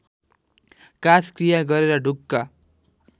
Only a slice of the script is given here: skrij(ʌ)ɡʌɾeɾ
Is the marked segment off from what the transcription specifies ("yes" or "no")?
yes